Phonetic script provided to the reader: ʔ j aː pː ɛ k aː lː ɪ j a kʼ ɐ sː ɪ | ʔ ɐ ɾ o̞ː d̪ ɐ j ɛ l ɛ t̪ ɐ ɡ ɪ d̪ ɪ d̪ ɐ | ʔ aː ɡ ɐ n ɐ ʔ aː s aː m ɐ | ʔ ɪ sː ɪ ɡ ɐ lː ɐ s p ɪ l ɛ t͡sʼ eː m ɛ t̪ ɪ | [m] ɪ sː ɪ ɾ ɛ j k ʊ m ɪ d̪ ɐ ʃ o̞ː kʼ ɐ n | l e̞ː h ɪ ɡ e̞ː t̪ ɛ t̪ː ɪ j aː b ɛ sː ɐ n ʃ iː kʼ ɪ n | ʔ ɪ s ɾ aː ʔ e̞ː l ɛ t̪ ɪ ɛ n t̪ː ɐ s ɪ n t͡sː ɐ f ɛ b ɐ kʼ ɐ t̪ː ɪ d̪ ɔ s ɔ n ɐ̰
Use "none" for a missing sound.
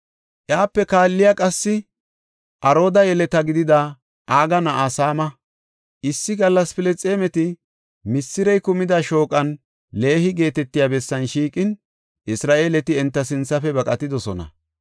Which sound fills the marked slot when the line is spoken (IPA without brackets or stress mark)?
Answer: m